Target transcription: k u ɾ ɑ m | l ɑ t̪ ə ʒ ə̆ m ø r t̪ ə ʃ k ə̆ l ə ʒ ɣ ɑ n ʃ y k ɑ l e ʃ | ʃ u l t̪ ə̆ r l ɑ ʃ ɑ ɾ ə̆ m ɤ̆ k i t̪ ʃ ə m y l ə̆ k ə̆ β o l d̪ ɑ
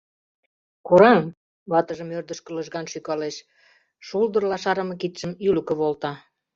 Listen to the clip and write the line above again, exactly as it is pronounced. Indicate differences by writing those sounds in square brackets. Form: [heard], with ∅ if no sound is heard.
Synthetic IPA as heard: k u ɾ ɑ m | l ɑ t̪ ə ʒ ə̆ m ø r [d̪] ə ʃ k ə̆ l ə ʒ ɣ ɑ n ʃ y k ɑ l e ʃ | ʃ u l [d̪] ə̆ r l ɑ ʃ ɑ ɾ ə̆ m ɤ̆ k i t̪ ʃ ə m y l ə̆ k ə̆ β o l [t̪] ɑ